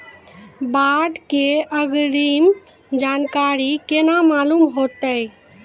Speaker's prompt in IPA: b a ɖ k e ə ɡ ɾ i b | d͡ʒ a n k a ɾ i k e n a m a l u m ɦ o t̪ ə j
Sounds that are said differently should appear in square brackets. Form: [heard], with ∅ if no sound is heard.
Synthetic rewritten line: b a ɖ k e ə ɡ ɾ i [m] | d͡ʒ a n k a ɾ i k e n a m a l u m ɦ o t̪ ə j